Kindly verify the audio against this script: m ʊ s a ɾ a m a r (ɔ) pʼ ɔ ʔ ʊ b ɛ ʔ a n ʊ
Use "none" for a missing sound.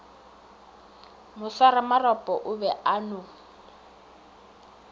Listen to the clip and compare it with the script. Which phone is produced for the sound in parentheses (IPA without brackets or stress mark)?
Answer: ɔ